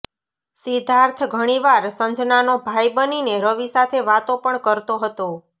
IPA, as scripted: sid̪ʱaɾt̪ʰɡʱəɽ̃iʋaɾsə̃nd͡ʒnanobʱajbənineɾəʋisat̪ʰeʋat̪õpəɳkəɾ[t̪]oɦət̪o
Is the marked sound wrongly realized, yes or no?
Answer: no